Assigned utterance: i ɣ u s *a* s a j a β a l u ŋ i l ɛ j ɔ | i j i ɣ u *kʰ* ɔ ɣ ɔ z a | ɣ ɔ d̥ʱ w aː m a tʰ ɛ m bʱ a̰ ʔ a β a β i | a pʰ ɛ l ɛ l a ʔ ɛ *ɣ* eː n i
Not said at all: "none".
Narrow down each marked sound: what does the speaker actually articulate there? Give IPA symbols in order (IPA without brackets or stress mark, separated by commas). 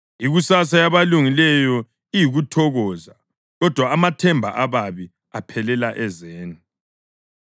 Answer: a, tʰ, z